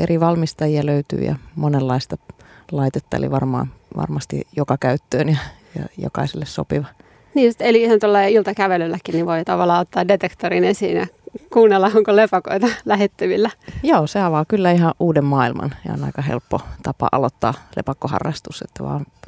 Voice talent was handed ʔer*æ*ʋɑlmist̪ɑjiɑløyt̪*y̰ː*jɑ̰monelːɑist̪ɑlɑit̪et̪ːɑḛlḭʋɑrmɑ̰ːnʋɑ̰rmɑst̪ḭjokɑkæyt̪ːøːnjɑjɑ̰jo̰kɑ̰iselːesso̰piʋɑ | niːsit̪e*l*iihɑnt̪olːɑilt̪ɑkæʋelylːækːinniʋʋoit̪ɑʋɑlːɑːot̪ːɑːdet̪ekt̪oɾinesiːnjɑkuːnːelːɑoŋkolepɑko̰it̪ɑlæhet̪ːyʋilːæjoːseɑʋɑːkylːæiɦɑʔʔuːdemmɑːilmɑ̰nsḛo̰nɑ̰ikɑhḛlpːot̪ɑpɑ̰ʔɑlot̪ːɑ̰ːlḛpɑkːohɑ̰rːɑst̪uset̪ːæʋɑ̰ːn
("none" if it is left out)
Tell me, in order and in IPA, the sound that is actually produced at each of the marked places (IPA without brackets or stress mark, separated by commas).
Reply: i, y̰ː, l